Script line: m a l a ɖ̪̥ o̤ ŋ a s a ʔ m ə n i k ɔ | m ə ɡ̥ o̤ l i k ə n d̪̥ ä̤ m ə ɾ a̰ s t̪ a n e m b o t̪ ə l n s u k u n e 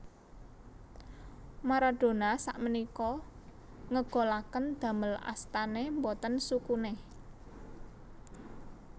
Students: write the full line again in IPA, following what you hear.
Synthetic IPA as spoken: m a ɾ a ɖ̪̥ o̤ n a s a ʔ m ə n i k ɔ | ŋ ə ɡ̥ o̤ l a k ə n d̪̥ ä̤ m ə l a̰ s t̪ a n e m b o t̪ ə n s u k u n e